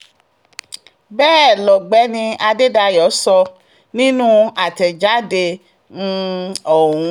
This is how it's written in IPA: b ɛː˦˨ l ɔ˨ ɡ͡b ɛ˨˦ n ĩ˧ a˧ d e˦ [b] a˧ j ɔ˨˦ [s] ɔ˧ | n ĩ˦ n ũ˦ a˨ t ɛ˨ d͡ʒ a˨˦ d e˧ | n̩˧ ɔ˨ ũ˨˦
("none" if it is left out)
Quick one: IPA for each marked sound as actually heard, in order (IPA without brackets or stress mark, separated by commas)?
d, s